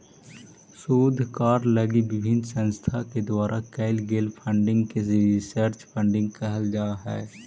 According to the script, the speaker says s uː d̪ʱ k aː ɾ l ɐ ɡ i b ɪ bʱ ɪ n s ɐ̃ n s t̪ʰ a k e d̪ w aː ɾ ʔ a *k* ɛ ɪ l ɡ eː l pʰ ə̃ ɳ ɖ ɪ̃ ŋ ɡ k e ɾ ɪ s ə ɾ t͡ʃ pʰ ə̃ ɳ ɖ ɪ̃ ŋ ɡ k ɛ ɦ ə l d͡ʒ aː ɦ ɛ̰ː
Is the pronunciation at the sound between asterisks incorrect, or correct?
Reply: correct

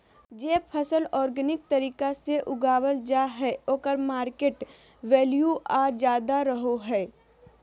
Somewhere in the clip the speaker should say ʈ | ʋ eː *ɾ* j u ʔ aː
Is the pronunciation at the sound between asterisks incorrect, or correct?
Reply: incorrect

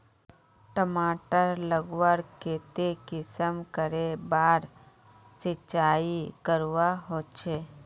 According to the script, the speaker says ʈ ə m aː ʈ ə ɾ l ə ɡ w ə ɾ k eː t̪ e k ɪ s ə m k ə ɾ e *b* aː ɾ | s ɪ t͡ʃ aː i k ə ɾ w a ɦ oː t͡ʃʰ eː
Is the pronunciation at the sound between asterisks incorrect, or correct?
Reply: correct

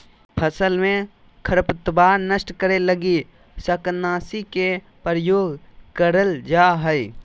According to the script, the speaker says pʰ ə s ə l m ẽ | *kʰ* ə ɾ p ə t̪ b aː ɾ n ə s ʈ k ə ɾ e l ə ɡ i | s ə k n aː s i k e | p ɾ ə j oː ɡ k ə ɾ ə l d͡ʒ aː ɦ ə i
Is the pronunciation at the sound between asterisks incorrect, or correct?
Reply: correct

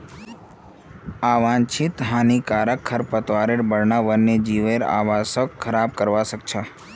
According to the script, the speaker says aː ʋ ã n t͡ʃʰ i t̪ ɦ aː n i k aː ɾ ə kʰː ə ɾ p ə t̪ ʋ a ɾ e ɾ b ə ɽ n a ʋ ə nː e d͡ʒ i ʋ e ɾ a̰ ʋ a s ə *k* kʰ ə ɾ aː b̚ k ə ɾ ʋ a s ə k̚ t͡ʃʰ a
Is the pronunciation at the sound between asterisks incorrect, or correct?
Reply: correct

